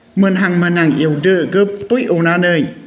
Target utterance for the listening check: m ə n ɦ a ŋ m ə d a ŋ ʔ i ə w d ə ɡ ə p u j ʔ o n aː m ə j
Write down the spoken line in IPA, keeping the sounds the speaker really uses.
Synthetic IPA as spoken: m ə n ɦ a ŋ m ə n a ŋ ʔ i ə w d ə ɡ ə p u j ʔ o n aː n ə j